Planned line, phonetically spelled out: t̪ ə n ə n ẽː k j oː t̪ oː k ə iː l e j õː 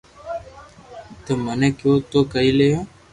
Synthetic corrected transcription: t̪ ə m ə n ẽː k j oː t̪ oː k ə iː l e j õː